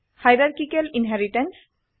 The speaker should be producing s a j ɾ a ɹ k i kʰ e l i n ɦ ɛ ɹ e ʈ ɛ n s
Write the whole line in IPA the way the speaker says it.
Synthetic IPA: h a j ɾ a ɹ k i k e l i n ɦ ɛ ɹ i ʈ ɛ n s